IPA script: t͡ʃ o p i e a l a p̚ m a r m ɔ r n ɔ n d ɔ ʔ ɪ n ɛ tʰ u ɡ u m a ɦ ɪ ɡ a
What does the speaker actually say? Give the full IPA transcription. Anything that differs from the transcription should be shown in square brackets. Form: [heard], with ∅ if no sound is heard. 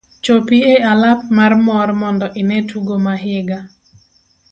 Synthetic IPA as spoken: t͡ʃ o p i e a l a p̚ m a r m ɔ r [m] ɔ n d ɔ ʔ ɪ n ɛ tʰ u ɡ [o] m a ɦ ɪ ɡ a